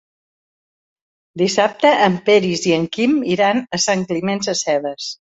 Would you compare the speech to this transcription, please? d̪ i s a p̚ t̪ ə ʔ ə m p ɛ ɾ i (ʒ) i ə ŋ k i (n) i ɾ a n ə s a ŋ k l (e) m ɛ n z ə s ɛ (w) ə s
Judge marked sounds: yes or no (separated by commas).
no, no, no, no